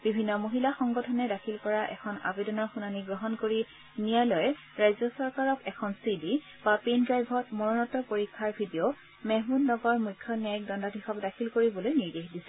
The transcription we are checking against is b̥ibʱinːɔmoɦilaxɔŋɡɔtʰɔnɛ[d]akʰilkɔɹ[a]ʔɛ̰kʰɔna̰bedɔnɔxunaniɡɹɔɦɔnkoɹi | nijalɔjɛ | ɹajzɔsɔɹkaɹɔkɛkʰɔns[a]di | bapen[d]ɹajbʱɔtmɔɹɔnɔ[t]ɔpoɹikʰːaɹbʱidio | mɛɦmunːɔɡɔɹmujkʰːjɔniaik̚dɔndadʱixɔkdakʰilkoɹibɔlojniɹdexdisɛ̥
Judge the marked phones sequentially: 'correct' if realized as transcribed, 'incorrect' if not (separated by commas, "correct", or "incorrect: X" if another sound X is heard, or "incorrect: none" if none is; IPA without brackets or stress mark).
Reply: correct, correct, incorrect: i, correct, correct